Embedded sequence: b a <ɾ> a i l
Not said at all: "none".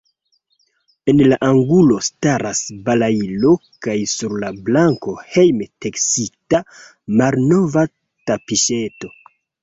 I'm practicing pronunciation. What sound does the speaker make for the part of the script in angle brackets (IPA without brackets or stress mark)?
l